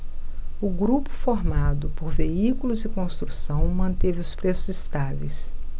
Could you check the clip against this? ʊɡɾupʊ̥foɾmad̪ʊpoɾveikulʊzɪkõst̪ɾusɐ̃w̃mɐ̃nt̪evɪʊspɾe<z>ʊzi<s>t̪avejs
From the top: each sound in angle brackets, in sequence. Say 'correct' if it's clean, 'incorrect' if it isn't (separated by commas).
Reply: incorrect, correct